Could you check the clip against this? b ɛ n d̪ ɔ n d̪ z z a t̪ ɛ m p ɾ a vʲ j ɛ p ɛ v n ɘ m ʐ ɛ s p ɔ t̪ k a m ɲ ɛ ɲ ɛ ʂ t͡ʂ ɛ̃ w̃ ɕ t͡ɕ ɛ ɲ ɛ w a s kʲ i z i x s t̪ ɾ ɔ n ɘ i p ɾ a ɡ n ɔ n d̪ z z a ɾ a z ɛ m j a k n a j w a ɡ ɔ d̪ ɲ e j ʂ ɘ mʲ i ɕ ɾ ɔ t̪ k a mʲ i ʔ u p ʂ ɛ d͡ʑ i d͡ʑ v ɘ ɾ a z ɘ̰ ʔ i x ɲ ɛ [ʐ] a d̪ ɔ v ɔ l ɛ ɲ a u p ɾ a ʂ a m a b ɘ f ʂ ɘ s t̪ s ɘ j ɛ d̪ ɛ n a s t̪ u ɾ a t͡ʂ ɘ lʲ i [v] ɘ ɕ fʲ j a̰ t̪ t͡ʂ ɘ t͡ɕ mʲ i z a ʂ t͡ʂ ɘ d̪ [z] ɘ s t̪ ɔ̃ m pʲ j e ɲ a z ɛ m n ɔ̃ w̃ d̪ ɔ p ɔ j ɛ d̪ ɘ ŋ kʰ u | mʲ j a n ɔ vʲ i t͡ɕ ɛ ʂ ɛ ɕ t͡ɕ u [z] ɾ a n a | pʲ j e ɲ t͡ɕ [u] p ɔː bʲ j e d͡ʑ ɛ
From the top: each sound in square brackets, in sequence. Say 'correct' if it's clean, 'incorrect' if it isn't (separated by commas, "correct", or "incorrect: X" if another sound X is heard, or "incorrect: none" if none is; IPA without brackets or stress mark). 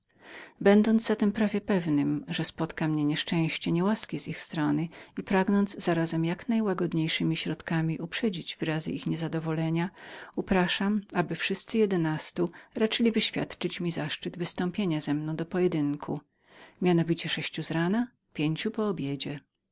incorrect: z, correct, incorrect: v, correct, correct